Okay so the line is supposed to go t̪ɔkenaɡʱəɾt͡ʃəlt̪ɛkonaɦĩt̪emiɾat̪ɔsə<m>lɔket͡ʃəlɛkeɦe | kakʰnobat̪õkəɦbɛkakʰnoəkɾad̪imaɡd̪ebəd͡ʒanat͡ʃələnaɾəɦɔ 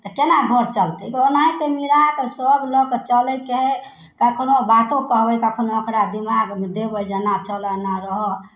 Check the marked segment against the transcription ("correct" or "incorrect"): incorrect